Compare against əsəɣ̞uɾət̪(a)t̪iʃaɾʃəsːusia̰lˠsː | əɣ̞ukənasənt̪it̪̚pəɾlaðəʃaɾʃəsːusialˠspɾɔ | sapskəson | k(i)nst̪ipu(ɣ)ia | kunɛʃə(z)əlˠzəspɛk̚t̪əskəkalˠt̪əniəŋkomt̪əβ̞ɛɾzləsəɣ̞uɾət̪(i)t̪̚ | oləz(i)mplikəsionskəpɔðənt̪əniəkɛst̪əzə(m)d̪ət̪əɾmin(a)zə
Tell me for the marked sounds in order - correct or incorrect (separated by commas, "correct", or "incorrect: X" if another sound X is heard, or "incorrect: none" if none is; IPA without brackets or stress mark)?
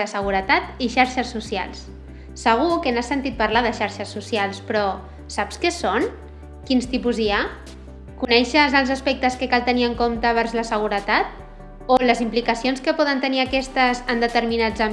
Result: correct, correct, incorrect: z, correct, incorrect: a, correct, incorrect: n, correct